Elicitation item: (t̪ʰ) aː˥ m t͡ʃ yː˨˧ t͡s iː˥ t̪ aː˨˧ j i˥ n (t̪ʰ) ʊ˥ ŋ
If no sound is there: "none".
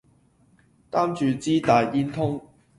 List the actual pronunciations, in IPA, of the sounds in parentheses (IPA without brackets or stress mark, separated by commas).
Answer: t̪, t̪ʰ